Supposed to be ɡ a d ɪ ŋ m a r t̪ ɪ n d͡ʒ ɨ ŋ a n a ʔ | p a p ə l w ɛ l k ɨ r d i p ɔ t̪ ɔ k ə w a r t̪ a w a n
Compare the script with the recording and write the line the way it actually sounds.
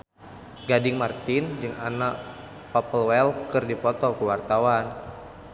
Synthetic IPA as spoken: ɡ a d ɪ ŋ m a r t̪ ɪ n d͡ʒ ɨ ŋ a n a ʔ | p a p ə l w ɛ l k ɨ r d i p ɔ t̪ ɔ k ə w a r t̪ a w a n